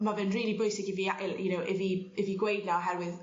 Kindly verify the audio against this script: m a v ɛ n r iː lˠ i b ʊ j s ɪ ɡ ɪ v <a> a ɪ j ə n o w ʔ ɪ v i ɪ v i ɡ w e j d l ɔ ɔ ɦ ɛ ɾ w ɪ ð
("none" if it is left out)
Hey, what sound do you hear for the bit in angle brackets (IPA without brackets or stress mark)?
i